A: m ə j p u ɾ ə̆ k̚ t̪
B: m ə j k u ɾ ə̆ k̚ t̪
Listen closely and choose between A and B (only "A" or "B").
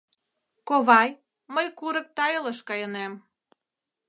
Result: B